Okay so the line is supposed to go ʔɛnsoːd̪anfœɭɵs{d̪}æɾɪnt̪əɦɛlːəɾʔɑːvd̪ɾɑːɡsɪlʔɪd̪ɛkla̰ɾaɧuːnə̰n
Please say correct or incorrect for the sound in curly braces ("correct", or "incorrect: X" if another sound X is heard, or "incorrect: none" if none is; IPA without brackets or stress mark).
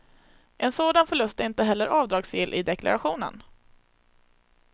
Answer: incorrect: t̪